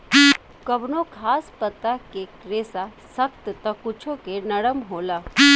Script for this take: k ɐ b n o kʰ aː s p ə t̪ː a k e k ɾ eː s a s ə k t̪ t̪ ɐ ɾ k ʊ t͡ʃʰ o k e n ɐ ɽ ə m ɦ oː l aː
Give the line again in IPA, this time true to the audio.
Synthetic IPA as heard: k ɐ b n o kʰ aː s p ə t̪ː a k e k ɾ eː s a s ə k t̪ t̪ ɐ k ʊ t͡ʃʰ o k e n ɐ ɽ ə m ɦ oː l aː